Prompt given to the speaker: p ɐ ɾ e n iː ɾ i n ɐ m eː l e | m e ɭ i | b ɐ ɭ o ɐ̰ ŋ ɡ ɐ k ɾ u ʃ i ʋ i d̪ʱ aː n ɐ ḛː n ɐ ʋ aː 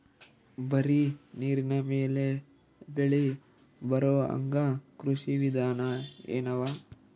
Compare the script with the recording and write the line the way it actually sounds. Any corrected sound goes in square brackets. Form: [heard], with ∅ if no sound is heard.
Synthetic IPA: [b] ɐ ɾ [i] n iː ɾ i n ɐ m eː l e | [b] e ɭ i | b ɐ [ɾ] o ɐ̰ ŋ ɡ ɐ k ɾ u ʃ i ʋ i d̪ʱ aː n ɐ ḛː n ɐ ʋ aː